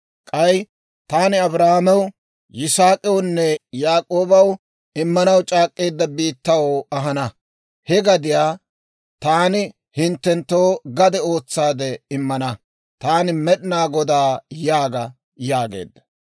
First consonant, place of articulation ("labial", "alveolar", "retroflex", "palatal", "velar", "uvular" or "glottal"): velar